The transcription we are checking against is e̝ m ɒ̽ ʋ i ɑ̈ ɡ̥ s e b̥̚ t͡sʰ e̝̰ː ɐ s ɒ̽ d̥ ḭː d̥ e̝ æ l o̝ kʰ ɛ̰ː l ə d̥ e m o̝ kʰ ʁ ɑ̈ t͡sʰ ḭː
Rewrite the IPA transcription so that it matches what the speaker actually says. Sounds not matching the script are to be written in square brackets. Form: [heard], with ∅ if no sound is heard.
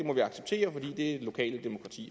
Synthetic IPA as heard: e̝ m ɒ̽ ʋ i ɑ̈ ɡ̥ s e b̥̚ t͡sʰ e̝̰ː ɐ [f] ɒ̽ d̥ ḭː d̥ e̝ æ l o̝ kʰ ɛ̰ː l ə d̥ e m o̝ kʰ ʁ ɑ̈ t͡sʰ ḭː